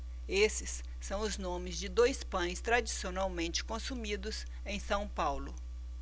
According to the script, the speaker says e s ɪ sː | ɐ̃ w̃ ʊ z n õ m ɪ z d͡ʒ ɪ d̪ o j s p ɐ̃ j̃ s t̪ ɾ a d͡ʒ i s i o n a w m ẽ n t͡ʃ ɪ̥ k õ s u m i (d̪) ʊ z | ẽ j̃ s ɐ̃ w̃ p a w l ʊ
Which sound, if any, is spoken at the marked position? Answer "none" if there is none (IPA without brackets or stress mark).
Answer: d̪